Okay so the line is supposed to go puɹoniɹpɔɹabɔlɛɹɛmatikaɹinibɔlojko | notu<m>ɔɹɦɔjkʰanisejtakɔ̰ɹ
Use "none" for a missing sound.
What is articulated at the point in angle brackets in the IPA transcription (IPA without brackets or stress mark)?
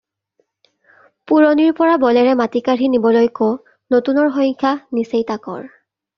n